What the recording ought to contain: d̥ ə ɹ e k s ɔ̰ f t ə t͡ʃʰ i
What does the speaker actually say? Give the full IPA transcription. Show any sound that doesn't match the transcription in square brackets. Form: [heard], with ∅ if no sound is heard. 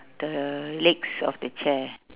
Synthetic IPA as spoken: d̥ ə [l] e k s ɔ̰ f [d] ə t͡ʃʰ [ɛ]

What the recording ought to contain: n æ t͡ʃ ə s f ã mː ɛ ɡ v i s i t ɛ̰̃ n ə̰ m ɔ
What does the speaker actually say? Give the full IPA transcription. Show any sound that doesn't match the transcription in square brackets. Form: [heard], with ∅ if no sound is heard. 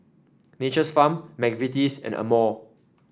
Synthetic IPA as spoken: n [e] t͡ʃ ə s f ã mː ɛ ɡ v i [t] i [s] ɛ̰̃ n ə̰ m ɔ

